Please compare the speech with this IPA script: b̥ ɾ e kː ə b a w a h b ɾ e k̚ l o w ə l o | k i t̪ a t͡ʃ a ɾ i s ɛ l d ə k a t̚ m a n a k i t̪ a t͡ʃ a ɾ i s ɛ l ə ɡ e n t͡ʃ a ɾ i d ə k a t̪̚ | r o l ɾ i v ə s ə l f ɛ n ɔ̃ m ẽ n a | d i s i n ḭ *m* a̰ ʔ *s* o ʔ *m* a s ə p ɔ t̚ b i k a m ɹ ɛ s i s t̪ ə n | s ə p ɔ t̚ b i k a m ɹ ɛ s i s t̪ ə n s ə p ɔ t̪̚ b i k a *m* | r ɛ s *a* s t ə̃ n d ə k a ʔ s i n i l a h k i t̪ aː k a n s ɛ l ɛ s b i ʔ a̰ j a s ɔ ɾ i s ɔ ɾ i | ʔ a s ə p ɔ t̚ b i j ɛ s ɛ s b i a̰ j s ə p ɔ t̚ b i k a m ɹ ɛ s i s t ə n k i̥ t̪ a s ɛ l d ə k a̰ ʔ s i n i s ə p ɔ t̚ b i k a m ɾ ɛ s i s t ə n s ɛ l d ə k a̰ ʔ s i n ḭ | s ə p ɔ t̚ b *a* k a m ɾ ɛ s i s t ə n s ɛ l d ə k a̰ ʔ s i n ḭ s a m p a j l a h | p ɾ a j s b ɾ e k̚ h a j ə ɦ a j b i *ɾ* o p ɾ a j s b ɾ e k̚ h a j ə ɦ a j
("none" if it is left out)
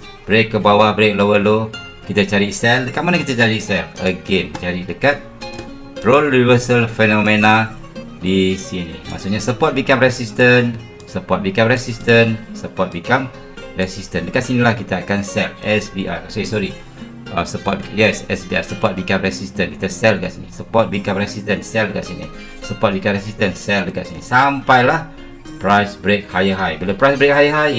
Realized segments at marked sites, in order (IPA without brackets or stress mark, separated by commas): m, s, ɲ, m, i, i, l